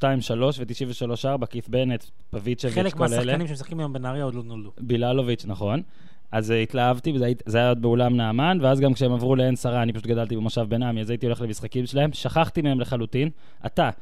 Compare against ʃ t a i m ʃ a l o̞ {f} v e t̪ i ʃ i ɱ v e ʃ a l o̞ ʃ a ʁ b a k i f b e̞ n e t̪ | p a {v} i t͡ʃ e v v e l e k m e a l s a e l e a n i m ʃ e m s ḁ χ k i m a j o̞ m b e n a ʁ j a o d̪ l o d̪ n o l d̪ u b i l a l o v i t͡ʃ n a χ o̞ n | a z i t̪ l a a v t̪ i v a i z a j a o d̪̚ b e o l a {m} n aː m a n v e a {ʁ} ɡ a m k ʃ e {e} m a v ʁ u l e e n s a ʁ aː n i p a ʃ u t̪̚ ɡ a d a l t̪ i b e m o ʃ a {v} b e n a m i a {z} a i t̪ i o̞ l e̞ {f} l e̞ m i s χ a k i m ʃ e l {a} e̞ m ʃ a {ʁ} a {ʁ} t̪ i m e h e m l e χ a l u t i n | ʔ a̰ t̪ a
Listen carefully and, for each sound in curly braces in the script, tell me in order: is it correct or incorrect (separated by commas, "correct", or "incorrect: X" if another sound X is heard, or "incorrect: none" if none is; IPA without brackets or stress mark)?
incorrect: ʃ, correct, correct, incorrect: z, correct, correct, correct, incorrect: χ, correct, incorrect: χ, incorrect: χ